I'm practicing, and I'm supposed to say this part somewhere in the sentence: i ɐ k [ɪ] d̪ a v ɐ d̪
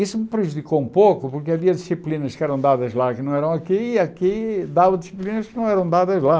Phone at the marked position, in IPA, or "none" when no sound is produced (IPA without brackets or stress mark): i